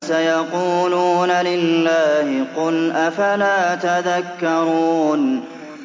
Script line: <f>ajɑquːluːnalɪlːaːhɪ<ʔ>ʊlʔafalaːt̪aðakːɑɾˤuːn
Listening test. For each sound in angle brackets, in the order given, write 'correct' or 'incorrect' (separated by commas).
incorrect, incorrect